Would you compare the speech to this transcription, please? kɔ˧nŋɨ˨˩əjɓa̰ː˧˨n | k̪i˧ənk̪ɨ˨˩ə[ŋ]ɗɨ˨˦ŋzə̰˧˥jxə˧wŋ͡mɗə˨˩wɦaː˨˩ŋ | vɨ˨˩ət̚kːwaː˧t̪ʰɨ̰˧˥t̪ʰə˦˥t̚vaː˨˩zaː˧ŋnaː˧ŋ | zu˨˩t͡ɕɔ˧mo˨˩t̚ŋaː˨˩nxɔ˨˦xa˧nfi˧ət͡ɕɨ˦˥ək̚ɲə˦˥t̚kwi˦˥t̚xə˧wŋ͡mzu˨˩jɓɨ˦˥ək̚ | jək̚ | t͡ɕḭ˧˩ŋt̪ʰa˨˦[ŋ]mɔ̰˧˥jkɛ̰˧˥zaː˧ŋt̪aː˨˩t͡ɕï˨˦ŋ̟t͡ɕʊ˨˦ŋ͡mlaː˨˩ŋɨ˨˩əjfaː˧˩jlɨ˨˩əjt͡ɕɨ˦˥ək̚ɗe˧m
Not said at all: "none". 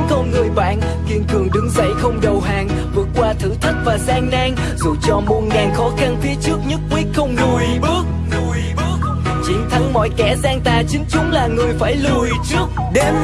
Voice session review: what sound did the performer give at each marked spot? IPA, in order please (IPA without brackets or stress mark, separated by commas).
ŋ, ŋ